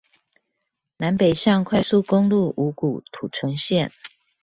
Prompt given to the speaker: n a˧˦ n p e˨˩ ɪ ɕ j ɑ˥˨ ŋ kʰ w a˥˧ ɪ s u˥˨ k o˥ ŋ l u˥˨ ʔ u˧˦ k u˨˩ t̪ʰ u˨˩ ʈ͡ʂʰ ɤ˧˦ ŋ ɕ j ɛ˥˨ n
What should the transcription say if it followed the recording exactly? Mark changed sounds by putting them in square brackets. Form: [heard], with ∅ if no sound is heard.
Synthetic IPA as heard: n a˧˦ n p e˨˩ ɪ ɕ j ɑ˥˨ ŋ kʰ w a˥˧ ɪ s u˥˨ k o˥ ŋ l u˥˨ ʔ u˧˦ k u˨˩ t̪ʰ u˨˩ ʈ͡ʂʰ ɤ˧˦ ŋ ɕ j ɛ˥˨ n